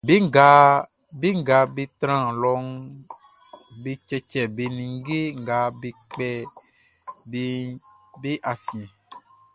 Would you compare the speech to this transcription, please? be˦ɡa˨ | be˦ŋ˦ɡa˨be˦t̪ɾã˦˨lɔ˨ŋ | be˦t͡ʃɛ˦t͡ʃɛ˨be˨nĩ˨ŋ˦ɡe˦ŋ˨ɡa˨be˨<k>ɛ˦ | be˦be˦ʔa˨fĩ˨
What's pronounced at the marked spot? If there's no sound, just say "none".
k͡p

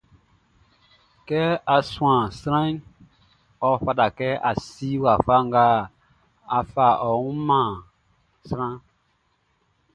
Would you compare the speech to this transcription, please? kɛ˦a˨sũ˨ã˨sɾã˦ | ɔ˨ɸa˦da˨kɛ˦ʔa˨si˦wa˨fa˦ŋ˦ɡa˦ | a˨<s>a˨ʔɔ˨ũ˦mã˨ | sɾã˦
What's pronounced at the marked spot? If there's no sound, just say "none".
f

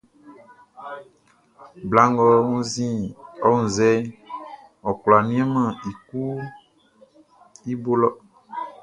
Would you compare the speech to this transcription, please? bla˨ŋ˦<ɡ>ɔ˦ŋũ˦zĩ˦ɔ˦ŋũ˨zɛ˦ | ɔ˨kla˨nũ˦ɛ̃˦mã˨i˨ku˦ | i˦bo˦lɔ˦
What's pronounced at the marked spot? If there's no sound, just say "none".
ɡ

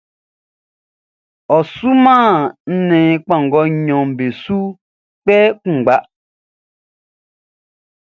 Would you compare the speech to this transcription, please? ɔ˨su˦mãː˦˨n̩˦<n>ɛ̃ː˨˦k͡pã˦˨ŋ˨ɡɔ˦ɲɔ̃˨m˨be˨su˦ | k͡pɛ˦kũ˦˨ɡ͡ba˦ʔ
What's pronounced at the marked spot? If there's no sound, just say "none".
n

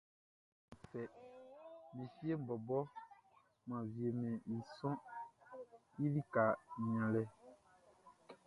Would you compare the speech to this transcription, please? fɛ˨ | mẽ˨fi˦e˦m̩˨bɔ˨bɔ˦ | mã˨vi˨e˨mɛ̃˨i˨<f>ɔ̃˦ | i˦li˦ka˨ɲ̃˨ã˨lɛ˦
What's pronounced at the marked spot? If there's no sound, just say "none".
s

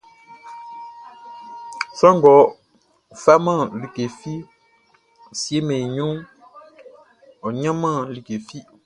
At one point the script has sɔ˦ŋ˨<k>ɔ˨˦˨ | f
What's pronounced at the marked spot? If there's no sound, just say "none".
ɡ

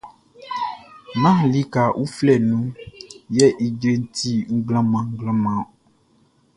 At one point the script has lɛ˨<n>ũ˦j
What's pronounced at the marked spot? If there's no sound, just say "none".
n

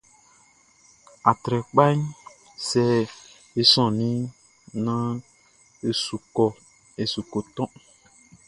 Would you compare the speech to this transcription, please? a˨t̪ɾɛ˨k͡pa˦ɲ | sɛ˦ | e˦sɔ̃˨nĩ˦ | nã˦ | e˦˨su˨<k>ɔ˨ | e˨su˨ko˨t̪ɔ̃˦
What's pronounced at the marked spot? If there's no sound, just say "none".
k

